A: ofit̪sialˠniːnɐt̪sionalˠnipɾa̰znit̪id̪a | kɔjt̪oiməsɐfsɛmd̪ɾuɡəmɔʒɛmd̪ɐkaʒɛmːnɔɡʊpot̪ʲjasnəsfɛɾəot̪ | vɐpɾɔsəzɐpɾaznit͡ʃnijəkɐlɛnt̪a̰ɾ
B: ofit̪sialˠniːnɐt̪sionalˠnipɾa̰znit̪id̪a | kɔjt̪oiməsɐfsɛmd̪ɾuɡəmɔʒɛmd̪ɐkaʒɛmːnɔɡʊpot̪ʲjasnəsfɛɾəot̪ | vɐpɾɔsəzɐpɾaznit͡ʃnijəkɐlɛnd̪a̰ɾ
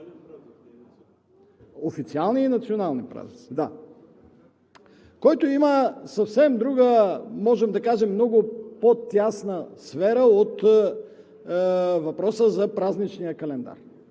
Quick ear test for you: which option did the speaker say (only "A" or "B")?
B